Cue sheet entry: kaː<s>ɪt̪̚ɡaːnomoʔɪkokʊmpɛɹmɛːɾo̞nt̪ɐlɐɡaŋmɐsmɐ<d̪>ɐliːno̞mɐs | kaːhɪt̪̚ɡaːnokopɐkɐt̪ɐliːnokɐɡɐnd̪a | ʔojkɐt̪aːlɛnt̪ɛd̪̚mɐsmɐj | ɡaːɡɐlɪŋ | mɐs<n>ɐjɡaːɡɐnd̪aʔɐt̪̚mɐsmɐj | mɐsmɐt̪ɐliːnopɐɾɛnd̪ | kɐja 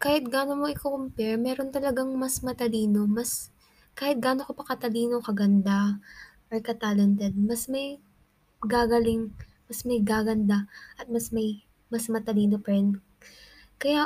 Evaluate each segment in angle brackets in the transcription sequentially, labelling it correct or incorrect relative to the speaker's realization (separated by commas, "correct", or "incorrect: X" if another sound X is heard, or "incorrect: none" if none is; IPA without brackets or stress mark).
incorrect: h, incorrect: t̪, incorrect: m